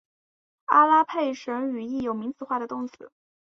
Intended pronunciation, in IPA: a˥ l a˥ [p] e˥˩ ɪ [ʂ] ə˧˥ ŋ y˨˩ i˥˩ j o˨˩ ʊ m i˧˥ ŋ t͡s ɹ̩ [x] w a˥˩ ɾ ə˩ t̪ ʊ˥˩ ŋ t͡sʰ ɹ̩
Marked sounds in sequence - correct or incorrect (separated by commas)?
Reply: incorrect, correct, correct